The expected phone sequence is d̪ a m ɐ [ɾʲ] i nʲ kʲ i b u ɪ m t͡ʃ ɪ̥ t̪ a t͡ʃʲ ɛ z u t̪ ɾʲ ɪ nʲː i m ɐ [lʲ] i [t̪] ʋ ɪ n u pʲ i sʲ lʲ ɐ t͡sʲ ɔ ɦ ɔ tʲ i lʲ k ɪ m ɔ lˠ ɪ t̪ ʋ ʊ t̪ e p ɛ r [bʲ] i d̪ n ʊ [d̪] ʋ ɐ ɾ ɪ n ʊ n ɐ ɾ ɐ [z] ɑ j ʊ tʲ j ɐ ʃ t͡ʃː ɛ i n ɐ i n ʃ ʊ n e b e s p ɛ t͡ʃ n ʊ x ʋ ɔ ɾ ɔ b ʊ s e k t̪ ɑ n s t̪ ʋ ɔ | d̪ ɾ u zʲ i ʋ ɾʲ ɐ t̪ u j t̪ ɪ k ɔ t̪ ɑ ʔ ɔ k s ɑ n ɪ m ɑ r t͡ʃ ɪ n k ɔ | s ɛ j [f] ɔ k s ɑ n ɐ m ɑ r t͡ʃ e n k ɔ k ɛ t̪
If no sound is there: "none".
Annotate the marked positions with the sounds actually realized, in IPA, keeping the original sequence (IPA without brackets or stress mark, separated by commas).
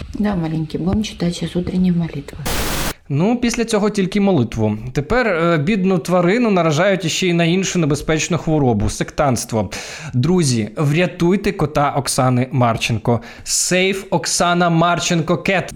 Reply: lʲ, lʲ, t̪, bʲ, t̪, ʒ, f